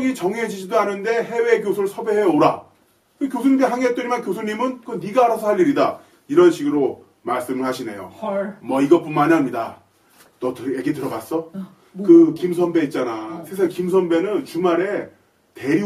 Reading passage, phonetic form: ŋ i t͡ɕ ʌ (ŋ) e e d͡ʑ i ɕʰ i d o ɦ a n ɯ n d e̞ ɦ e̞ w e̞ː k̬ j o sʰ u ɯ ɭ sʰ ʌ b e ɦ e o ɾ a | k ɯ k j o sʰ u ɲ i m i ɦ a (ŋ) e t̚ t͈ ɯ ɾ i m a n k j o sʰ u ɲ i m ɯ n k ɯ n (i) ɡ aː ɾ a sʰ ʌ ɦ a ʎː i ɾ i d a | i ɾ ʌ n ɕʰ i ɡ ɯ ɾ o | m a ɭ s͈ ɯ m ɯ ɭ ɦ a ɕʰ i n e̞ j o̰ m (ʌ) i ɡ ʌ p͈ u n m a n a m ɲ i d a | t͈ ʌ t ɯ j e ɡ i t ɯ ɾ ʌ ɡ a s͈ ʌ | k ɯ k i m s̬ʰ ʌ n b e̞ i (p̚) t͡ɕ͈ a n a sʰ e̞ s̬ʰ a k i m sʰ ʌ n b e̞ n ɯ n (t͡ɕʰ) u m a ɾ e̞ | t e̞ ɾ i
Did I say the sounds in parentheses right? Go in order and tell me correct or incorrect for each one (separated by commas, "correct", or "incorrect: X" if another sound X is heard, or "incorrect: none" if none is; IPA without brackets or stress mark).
correct, correct, correct, correct, incorrect: t̚, incorrect: t͡ɕ